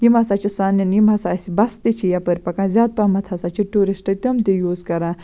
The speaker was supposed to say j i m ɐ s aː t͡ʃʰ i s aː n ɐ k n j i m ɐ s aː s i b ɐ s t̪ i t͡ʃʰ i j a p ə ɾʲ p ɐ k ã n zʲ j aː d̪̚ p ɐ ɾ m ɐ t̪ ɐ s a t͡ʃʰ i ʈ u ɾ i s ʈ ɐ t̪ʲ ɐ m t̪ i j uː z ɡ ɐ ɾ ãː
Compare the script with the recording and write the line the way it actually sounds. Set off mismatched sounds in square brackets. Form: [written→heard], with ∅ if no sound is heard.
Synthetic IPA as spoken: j i m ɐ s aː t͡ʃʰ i s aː n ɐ [k→∅] n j i m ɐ s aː s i b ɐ s t̪ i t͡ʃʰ i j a p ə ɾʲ p ɐ k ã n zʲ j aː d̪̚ p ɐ [ɾ→∅] m ɐ [t̪→t̪ʰ] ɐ s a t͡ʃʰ i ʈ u ɾ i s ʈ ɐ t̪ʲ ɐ m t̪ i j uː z [ɡ→k] ɐ ɾ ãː

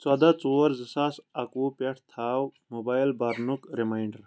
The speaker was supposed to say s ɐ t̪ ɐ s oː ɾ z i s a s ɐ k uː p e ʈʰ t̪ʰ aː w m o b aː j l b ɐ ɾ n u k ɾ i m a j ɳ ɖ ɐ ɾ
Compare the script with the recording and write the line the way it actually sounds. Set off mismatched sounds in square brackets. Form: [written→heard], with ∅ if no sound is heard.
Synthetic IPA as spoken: [s→t͡s] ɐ [t̪→d̪] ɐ [s→t͡s] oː ɾ z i s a s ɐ k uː p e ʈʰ t̪ʰ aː w m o b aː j l b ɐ ɾ n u k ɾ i m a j ɳ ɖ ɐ ɾ

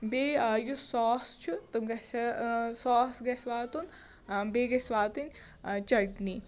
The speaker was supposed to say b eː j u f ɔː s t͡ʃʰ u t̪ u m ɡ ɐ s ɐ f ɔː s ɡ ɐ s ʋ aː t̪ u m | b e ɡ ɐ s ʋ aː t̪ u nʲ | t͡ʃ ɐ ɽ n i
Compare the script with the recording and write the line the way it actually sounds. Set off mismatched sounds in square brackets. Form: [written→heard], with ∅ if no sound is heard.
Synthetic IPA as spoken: b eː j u [f→s] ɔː s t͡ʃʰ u t̪ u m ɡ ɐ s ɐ [f→s] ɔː s ɡ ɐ s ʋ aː t̪ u [m→n] | b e ɡ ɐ s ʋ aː t̪ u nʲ | t͡ʃ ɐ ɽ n i

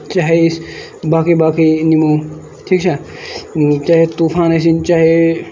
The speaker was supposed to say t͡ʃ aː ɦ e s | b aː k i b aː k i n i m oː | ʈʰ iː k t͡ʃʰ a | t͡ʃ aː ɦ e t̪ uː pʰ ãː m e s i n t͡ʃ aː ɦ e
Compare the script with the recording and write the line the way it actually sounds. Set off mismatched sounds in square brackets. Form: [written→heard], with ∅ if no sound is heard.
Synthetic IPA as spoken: t͡ʃ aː ɦ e s | b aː k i b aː k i n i m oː | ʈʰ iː k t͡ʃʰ a | t͡ʃ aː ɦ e t̪ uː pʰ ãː [m→n] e s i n t͡ʃ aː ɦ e

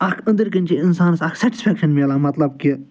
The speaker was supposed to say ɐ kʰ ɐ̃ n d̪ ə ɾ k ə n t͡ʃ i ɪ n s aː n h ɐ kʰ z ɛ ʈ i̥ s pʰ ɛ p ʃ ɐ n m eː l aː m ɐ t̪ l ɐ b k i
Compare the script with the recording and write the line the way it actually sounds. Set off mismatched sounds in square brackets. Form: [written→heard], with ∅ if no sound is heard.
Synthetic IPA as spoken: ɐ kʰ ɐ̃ n d̪ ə ɾ k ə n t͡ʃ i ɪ n s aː n [h→s] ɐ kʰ [z→s] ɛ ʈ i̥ s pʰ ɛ [p→k] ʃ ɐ n m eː l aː m ɐ t̪ l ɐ b k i

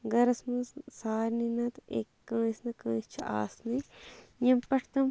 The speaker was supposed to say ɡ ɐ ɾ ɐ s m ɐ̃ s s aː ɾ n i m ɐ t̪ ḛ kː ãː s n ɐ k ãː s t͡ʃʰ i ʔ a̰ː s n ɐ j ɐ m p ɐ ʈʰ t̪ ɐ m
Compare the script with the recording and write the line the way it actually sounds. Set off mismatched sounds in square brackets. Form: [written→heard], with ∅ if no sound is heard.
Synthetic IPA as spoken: ɡ ɐ ɾ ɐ s m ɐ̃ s s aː ɾ n i [m→n] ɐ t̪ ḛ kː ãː s n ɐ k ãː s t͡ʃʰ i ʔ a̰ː s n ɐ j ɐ m p ɐ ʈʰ t̪ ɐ m

